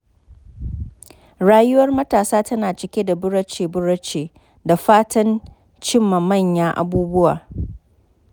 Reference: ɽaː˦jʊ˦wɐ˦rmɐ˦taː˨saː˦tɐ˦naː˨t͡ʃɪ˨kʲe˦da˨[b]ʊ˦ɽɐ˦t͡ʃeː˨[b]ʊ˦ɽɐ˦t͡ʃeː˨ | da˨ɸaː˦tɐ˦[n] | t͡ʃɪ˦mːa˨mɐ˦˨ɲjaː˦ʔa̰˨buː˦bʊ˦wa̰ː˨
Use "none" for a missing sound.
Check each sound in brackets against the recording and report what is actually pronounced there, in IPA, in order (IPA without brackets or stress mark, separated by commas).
b, b, n